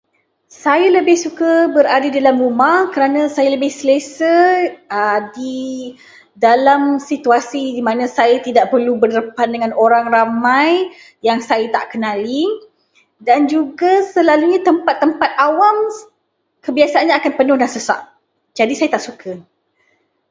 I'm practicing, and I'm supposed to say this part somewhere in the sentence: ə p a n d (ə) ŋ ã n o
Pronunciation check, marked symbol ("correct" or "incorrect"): correct